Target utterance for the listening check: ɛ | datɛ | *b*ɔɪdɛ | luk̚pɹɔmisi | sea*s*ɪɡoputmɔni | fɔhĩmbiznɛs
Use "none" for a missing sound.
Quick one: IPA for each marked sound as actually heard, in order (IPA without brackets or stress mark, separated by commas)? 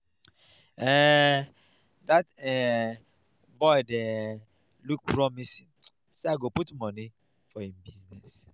b, none